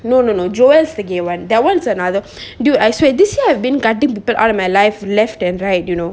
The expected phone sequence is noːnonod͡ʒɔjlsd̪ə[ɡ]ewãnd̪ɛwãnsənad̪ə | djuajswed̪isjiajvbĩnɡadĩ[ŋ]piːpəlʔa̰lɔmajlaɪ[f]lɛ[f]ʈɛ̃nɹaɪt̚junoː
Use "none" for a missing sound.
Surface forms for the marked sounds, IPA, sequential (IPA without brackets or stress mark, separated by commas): ɡ, ŋ, f, f